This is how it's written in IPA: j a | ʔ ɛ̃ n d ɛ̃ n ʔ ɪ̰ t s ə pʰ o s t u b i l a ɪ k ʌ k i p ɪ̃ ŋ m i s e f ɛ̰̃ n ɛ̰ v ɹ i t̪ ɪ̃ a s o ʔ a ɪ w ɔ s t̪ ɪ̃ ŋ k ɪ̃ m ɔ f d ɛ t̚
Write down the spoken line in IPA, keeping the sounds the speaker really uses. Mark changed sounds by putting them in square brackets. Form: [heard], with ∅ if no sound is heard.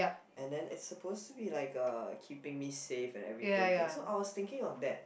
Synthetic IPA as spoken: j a | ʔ ɛ̃ n d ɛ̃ n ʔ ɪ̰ t s ə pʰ o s t u b i l a ɪ k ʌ [kʰ] i p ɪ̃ ŋ m i s e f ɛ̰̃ n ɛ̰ v ɹ i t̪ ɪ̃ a s o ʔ a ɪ w ɔ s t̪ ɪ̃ ŋ k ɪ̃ [ŋ] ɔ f d ɛ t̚